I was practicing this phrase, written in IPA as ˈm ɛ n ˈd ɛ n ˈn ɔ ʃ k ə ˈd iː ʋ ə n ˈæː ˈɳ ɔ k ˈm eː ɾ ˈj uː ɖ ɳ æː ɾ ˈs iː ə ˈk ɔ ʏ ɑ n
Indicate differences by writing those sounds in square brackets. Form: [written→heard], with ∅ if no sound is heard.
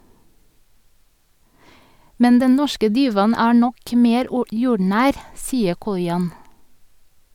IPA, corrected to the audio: ˈm ɛ n ˈd ɛ n ˈn ɔ ʃ k ə ˈd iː ʋ [ə→ɑ] n ˈæː ˈɳ ɔ k ˈm eː ɾ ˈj uː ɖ ɳ æː ɾ ˈs iː ə ˈk ɔ ʏ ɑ n